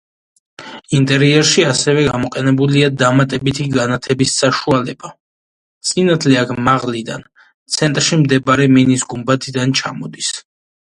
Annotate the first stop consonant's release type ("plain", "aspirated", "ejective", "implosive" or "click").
ejective